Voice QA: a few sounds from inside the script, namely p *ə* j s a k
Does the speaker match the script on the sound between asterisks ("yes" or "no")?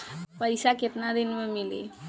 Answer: yes